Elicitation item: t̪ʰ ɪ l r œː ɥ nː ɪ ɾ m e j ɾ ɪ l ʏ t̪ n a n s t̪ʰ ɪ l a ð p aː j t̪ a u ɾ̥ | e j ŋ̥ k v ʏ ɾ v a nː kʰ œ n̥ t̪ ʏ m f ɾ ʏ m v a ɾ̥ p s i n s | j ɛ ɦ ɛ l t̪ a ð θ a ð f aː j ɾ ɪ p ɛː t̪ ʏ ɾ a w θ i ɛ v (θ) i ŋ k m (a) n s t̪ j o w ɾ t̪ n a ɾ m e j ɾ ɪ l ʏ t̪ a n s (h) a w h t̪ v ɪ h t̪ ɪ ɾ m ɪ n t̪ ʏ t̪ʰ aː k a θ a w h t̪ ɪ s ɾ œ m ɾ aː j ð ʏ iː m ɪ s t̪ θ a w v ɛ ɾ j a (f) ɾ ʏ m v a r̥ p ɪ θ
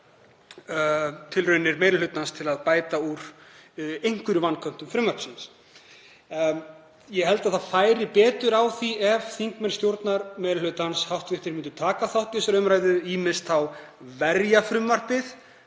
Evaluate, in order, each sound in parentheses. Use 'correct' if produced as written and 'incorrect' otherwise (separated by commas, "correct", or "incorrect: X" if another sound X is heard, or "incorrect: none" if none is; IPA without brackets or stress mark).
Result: correct, incorrect: ɛ, correct, correct